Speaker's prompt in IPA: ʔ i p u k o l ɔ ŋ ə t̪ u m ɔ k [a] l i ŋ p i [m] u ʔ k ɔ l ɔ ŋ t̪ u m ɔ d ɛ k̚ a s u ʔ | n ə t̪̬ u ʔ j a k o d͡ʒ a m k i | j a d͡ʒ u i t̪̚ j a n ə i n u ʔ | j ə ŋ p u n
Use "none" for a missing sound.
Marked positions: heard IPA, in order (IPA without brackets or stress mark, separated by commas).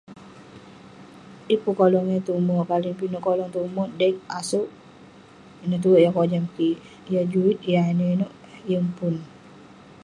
a, n